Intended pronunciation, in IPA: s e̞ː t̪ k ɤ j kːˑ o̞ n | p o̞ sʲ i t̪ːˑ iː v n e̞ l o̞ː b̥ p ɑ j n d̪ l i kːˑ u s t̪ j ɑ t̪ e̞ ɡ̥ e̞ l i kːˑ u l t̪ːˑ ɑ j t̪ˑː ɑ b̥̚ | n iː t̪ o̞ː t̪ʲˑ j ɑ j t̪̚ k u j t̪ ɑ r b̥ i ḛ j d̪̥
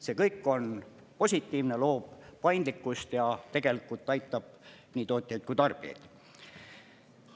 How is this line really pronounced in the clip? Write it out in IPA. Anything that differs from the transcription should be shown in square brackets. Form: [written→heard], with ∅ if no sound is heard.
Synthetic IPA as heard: s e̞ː [t̪→∅] k ɤ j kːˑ o̞ n | p o̞ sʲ i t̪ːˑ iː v n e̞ l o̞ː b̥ p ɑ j n d̪ l i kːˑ u s t̪ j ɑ t̪ e̞ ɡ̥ e̞ l i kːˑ u l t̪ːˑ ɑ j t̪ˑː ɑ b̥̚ | n iː t̪ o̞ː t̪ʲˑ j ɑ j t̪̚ k u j t̪ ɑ r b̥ i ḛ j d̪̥